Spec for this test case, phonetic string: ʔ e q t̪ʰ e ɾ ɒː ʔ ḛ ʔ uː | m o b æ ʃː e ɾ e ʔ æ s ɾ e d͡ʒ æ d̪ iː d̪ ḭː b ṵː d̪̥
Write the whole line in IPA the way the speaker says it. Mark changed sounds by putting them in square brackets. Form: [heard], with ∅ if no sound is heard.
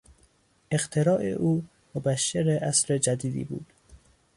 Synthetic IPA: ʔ e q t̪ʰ e ɾ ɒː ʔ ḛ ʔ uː | m o b æ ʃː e ɾ e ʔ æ s ɾ e d͡ʒ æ d̪ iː d̪ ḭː b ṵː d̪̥